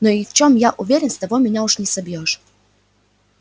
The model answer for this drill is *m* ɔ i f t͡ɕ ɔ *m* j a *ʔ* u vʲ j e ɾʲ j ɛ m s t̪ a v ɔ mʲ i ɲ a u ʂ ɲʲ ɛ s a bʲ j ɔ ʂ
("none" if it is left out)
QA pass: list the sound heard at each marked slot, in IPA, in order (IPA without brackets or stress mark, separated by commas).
n, m, ʔ